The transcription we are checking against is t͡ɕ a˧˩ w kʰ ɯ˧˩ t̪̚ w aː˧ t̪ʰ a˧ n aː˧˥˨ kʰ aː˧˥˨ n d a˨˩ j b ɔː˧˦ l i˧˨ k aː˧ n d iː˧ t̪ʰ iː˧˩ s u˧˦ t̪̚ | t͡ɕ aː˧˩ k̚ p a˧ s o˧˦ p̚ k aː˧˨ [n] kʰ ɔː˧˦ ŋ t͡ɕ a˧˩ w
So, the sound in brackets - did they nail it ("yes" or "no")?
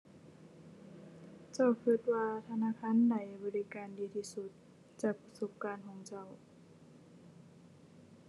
yes